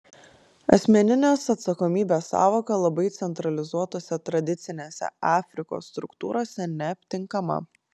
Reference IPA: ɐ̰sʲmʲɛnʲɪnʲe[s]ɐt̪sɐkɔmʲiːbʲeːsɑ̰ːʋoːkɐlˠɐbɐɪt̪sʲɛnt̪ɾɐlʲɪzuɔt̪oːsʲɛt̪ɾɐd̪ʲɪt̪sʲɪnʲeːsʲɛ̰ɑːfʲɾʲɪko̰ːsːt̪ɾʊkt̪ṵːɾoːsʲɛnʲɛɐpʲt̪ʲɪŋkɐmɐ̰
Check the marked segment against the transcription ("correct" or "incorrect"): correct